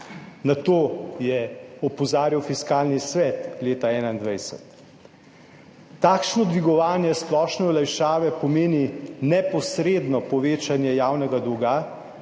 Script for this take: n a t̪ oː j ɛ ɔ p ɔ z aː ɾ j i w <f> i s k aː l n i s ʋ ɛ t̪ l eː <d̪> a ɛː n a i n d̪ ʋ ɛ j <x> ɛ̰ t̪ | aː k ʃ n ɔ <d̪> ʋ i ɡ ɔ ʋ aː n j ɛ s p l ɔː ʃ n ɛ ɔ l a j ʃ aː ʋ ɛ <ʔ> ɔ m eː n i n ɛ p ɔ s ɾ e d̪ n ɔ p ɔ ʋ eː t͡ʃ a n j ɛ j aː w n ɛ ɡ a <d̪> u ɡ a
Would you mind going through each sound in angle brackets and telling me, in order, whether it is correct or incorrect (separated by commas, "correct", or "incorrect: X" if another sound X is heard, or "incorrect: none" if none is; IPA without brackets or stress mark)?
correct, incorrect: t̪, incorrect: s, correct, incorrect: p, correct